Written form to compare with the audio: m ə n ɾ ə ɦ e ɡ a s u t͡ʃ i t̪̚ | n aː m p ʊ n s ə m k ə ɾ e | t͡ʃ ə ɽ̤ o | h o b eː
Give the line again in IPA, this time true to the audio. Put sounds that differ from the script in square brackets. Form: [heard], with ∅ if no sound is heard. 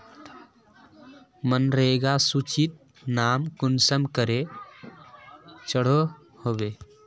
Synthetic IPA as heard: m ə n ɾ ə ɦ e ɡ a s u t͡ʃ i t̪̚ | n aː m [k] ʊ n s ə m k ə ɾ e | t͡ʃ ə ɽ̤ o | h o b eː